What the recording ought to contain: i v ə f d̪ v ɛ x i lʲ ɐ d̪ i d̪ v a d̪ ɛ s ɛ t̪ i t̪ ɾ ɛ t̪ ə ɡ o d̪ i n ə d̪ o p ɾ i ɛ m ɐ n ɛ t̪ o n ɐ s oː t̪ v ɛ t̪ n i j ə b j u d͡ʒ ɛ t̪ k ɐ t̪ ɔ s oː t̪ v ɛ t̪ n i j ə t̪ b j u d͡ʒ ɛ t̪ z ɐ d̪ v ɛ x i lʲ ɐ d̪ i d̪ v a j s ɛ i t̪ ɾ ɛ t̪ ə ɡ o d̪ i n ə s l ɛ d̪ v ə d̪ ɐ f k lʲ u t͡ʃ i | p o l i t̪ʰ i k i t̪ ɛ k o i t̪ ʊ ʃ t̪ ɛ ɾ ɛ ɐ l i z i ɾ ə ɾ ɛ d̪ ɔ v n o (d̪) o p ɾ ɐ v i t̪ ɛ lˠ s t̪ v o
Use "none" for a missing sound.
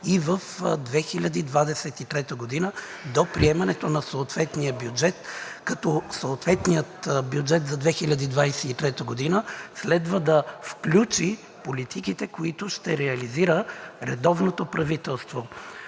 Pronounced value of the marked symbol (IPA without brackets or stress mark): t̪